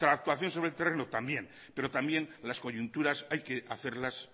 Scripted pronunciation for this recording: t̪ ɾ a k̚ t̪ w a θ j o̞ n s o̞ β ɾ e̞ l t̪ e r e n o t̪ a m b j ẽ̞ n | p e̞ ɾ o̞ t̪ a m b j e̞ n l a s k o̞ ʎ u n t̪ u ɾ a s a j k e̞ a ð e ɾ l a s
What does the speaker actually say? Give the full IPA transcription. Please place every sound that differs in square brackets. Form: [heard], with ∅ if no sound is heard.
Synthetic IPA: t̪ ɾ a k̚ t̪ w a θ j o̞ n s o̞ β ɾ e̞ l t̪ e r e n o t̪ a m b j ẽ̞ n | p e̞ ɾ o̞ t̪ a m b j e̞ n l a s k o̞ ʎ u n t̪ u ɾ a s a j k e̞ a [θ] e ɾ l a s

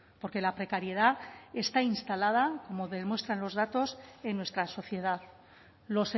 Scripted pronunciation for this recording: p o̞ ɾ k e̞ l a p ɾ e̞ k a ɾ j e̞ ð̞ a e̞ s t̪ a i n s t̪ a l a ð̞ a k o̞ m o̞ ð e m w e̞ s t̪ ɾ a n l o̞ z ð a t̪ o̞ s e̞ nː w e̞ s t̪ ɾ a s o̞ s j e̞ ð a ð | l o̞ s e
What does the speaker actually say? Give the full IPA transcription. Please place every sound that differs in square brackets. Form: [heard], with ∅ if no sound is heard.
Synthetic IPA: p o̞ ɾ k e̞ l a p ɾ e̞ k a ɾ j e̞ ð̞ a e̞ s t̪ a i n s t̪ a l a ð̞ a k o̞ m o̞ ð e m w e̞ s t̪ ɾ a n l o̞ z ð a t̪ o̞ s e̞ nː w e̞ s t̪ ɾ a s o̞ [θ] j e̞ ð a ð | l o̞ s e

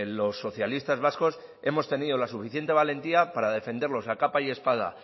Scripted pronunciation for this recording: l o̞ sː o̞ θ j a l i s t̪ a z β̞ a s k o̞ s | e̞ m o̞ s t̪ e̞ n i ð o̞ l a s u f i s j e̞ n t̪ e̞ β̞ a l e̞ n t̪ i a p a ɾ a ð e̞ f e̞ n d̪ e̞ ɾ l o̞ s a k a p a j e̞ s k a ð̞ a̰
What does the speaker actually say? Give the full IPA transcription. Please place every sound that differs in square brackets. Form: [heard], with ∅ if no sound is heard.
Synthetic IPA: l o̞ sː o̞ θ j a l i s t̪ a z β̞ a s k o̞ s | e̞ m o̞ s t̪ e̞ n i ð o̞ l a s u f i [θ] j e̞ n t̪ e̞ β̞ a l e̞ n t̪ i a p a ɾ a ð e̞ f e̞ n d̪ e̞ ɾ l o̞ s a k a p a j e̞ s [p] a ð̞ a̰

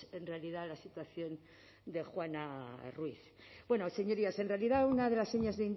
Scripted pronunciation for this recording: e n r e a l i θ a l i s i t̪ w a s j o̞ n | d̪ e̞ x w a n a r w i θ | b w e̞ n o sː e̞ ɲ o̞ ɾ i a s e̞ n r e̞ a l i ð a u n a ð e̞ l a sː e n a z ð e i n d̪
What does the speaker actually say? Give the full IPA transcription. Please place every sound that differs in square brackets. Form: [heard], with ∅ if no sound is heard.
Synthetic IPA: e n r e a l i [ð] a l [a] s i t̪ w a [θ] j o̞ n | d̪ e̞ x w a n a r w i θ | b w e̞ n o [s] e̞ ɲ o̞ ɾ i a s e̞ n r e̞ a l i ð a u n a ð e̞ l a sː e [ɲ] a z ð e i n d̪

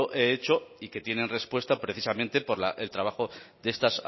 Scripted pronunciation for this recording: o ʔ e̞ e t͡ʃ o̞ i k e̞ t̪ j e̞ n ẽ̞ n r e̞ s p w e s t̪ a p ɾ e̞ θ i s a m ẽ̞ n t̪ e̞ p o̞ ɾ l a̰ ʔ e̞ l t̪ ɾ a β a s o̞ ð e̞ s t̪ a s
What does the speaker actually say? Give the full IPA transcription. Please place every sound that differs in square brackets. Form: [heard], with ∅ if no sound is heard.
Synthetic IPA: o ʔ e̞ e t͡ʃ o̞ i k e̞ t̪ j e̞ n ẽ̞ n r e̞ s p w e s t̪ a p ɾ e̞ θ i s a m ẽ̞ n t̪ e̞ p o̞ ɾ l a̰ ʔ e̞ l t̪ ɾ a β a [x] o̞ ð e̞ s t̪ a s

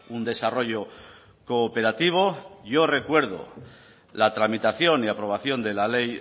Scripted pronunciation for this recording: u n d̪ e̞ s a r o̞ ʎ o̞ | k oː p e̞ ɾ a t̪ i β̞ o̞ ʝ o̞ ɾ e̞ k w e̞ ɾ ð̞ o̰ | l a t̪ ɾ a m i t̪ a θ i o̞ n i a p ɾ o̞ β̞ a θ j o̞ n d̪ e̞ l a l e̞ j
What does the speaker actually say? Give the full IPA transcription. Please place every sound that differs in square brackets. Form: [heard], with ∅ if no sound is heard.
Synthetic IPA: u n d̪ e̞ s a r o̞ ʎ o̞ | k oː p e̞ ɾ a t̪ i β̞ o̞ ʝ o̞ [r] e̞ k w e̞ ɾ ð̞ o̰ | l a t̪ ɾ a m i t̪ a θ [j] o̞ n i a p ɾ o̞ β̞ a θ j o̞ n d̪ e̞ l a l e̞ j

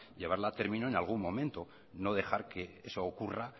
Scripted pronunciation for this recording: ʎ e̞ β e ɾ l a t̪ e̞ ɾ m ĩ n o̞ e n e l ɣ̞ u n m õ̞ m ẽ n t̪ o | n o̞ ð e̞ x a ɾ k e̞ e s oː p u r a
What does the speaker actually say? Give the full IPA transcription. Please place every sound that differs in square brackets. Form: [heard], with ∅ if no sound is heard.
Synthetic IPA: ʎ e̞ β [a] ɾ l a t̪ e̞ ɾ m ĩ n o̞ e n [a] l ɣ̞ u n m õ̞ m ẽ n t̪ o | n o̞ ð e̞ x a ɾ k e̞ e s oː [k] u r a

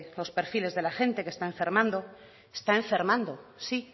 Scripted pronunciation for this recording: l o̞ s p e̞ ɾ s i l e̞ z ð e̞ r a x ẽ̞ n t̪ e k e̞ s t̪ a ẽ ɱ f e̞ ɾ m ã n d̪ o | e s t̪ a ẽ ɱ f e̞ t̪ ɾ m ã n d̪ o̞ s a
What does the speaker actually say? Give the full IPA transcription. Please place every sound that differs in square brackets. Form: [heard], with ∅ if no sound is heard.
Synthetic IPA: l o̞ s p e̞ ɾ [f] i l e̞ z ð e̞ [l] a x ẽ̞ n t̪ e k e̞ s t̪ a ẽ ɱ f e̞ ɾ m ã n d̪ o | e s t̪ a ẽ ɱ f e̞ [∅] ɾ m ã n d̪ o̞ s [i]

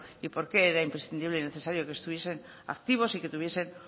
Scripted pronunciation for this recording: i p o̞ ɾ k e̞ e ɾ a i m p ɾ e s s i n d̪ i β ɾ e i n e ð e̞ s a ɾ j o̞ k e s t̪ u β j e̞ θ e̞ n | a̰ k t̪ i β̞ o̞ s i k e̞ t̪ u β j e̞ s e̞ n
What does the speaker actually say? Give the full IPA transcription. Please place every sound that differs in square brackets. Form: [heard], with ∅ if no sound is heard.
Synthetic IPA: i p o̞ ɾ k e̞ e ɾ a i m p ɾ e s [θ] i n d̪ i β [l] e i n e [θ] e̞ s a ɾ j o̞ k e s t̪ u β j e̞ [s] e̞ n | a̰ k t̪ i β̞ o̞ s i k e̞ t̪ u β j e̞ s e̞ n

